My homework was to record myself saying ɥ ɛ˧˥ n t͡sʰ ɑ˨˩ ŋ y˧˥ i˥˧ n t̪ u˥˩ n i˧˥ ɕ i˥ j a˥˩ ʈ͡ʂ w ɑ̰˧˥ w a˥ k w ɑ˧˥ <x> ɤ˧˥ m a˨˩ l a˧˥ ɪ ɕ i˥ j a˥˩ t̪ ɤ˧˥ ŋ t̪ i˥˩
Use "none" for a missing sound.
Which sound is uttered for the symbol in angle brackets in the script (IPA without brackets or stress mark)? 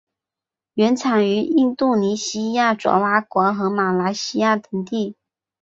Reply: x